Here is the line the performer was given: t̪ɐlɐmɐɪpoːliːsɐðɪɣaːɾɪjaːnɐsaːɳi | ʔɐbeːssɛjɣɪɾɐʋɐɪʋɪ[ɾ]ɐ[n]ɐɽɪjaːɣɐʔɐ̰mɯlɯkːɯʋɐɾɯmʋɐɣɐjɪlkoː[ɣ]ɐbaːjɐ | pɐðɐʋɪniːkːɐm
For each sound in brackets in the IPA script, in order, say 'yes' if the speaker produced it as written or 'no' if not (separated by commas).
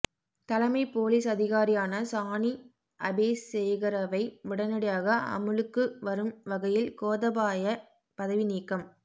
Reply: no, yes, no